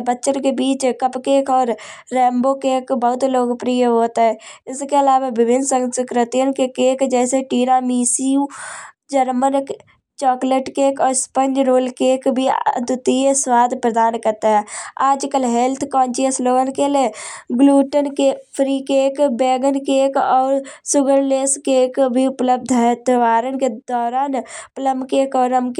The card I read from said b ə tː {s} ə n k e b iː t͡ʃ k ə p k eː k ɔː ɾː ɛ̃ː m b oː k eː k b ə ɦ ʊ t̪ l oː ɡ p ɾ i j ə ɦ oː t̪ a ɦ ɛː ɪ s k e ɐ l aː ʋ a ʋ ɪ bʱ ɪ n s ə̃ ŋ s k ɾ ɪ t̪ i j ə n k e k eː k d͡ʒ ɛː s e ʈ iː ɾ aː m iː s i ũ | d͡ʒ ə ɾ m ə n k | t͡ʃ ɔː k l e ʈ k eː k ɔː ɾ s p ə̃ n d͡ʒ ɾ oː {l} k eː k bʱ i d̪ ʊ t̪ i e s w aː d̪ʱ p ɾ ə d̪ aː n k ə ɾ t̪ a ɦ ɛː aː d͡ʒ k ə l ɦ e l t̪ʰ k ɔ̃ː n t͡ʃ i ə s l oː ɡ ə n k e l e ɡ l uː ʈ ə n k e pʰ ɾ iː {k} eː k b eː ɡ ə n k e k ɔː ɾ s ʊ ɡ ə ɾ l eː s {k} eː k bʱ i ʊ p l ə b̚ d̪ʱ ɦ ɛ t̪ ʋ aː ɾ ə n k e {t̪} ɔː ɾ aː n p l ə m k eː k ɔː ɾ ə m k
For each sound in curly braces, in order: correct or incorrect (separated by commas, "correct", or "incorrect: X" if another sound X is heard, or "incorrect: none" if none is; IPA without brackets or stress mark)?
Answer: incorrect: ʃ, correct, correct, correct, incorrect: d̪